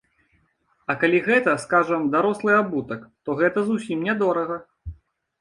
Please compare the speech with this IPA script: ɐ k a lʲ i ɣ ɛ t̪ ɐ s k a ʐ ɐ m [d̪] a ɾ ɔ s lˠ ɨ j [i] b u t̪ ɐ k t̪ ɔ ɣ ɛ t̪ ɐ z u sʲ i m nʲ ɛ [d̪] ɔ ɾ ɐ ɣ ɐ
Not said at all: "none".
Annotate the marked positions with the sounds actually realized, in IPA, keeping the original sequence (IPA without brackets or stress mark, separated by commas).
d̪, a, d̪